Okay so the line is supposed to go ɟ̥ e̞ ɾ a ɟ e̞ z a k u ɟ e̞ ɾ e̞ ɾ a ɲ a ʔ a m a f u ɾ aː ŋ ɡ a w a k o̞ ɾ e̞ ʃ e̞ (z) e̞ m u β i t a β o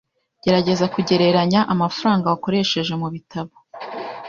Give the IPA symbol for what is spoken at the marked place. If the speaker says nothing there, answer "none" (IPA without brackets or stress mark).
ʒ